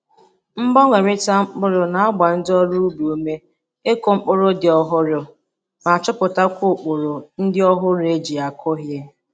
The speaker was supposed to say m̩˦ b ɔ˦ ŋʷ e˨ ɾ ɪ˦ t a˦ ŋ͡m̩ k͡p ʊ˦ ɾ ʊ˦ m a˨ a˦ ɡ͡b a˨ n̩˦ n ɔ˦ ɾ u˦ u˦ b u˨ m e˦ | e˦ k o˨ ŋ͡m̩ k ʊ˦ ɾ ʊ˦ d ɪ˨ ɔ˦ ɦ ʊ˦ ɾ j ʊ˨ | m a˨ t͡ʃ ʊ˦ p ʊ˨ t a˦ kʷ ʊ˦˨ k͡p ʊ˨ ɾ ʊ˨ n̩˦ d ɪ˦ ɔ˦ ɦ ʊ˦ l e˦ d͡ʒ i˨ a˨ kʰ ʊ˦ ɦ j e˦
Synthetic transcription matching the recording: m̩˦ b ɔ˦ ŋʷ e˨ ɾ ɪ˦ t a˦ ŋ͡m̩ k͡p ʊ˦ ɾ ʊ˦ n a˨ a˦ ɡ͡b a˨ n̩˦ d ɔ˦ ɾ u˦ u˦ b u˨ m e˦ | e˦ k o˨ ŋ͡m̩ k͡p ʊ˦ ɾ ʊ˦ d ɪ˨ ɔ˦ ɦ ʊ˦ ɾ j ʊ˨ | m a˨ t͡ʃ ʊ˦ p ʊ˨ t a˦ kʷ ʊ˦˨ k͡p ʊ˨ ɾ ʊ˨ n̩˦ d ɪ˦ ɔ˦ ɦ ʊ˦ ɾ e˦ d͡ʒ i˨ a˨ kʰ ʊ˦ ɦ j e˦